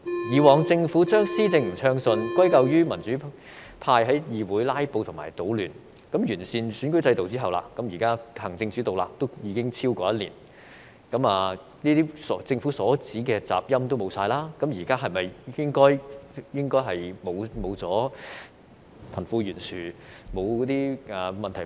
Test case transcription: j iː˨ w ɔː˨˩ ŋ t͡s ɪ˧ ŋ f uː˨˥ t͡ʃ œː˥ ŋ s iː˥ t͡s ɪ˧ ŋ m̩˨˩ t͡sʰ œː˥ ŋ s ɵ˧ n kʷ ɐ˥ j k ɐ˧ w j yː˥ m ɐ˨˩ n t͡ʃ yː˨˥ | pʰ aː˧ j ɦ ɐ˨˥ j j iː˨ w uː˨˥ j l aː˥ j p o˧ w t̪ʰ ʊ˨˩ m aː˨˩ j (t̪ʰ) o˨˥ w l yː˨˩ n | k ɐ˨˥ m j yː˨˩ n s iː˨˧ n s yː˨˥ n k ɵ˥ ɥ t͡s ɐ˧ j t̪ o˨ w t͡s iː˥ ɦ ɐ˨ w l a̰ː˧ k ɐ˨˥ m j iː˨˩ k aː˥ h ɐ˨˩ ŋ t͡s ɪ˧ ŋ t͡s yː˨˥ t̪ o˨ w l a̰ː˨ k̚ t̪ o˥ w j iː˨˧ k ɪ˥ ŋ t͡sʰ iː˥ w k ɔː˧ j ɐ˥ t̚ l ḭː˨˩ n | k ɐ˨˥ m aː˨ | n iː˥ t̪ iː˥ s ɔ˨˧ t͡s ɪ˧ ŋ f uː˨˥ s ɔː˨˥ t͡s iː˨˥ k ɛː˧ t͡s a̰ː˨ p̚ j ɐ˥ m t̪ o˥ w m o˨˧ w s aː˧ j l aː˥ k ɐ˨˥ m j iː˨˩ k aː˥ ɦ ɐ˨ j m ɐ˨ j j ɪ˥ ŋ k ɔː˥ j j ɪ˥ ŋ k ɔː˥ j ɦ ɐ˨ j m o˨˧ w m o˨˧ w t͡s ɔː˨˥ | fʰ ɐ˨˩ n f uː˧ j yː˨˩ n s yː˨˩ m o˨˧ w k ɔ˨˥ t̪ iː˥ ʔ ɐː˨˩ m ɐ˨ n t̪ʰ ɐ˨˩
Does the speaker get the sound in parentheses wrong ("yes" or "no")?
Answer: yes